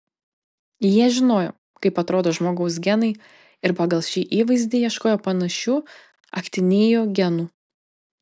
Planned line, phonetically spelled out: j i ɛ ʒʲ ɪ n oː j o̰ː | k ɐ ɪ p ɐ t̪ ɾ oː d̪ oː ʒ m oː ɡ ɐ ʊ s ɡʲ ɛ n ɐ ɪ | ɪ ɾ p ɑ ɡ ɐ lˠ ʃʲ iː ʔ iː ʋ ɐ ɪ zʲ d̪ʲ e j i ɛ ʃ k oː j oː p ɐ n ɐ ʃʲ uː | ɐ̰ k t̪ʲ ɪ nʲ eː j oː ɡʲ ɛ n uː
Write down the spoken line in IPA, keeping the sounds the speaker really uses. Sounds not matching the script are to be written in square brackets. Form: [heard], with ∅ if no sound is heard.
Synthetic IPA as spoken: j i ɛ ʒʲ ɪ n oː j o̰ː | k ɐ ɪ p ɐ t̪ ɾ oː d̪ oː ʒ m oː ɡ ɐ ʊ s ɡʲ ɛ n ɐ ɪ | ɪ ɾ p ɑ ɡ ɐ lˠ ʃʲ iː ʔ iː ʋ ɐ ɪ zʲ d̪ʲ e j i ɛ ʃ k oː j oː p ɐ n ɐ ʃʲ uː | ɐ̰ k t̪ʲ ɪ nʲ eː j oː ɡʲ ɛ n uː

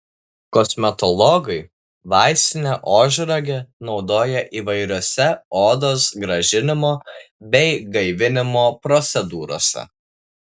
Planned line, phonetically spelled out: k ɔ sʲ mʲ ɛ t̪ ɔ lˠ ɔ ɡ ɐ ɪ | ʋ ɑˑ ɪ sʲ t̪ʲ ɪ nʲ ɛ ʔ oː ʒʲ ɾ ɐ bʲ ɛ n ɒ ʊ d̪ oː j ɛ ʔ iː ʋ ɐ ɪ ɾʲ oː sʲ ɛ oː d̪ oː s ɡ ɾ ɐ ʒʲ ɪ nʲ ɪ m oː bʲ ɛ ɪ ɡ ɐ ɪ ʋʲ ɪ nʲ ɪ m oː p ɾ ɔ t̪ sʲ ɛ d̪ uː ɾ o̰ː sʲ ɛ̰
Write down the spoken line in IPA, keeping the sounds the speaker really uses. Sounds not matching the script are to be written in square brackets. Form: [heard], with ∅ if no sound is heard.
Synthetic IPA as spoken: k ɔ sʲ mʲ ɛ t̪ ɔ lˠ ɔ ɡ ɐ ɪ | ʋ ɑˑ ɪ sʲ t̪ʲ ɪ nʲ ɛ ʔ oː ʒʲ ɾ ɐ [ɡʲ] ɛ n ɒ ʊ d̪ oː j ɛ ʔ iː ʋ ɐ ɪ ɾʲ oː sʲ ɛ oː d̪ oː s ɡ ɾ ɐ ʒʲ ɪ nʲ ɪ m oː bʲ ɛ ɪ ɡ ɐ ɪ ʋʲ ɪ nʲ ɪ m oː p ɾ ɔ t̪ sʲ ɛ d̪ uː ɾ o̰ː sʲ ɛ̰

